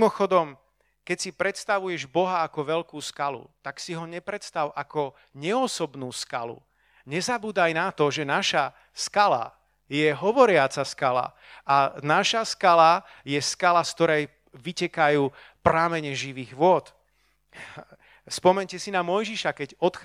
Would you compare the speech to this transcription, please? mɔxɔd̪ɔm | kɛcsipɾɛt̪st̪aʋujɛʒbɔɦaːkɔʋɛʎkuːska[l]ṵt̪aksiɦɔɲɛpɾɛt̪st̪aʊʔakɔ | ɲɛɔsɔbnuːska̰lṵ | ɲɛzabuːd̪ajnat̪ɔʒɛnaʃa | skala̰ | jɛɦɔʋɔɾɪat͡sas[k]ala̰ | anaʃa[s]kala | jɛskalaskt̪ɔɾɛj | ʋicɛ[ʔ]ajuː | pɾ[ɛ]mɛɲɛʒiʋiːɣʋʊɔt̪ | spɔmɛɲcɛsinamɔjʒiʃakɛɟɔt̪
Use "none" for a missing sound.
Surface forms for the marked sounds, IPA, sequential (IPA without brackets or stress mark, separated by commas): l, k, s, k, a